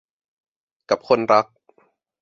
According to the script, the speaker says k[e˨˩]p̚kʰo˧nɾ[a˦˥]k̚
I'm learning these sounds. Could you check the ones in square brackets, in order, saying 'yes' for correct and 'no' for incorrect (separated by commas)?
no, yes